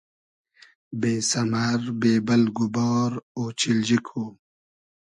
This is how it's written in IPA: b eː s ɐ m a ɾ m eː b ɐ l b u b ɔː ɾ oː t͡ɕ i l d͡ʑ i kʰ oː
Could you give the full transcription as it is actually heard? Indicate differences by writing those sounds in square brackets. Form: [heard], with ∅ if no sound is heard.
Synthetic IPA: b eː s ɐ m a ɾ [b] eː b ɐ l [ɡ] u b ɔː ɾ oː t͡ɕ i l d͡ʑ i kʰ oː